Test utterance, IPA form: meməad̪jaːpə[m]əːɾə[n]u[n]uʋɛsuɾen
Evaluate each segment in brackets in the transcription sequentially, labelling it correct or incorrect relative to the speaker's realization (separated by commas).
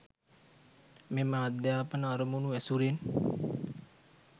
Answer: incorrect, incorrect, correct